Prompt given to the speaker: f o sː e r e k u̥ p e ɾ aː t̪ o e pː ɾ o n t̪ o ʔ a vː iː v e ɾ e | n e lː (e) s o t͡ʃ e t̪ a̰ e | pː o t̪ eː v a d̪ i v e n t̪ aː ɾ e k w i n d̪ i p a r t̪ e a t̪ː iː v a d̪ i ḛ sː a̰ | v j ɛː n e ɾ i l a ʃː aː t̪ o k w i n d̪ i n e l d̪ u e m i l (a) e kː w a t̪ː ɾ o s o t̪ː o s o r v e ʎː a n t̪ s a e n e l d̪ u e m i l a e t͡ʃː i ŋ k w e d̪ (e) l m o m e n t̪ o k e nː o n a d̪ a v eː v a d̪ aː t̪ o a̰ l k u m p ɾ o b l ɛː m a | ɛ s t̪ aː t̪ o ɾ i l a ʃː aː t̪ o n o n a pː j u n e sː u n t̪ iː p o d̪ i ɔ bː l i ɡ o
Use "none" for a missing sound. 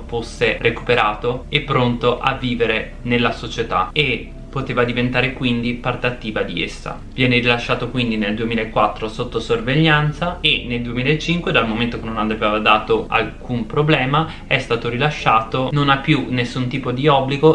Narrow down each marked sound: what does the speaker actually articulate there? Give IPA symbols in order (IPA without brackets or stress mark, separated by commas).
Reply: a, a, a